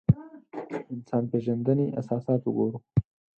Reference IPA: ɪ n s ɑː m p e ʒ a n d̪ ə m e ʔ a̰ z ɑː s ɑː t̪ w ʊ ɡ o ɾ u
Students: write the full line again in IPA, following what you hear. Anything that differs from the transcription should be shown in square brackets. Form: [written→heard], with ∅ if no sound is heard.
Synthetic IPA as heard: ɪ n s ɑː [m→n] p e ʒ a n d̪ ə [m→n] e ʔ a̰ [z→s] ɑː s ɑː t̪ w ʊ ɡ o ɾ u